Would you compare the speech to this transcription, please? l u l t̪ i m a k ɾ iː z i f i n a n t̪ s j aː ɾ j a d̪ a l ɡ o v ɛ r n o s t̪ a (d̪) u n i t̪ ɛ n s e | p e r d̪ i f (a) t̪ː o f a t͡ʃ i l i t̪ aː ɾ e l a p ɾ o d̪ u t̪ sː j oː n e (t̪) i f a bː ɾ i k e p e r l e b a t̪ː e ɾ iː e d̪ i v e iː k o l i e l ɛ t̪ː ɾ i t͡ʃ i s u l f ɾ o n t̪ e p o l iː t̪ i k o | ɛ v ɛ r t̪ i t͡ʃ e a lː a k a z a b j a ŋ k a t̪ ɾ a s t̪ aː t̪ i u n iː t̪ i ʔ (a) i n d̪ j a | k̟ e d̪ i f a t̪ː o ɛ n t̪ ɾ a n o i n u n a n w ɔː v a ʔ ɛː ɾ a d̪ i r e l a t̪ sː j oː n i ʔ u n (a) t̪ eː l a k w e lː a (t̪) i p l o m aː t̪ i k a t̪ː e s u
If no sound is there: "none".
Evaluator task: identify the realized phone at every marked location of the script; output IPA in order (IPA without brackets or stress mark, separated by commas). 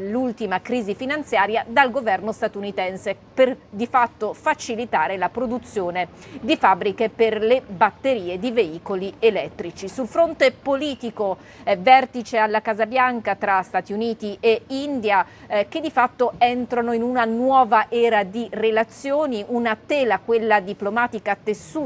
t̪, a, d̪, e, a, d̪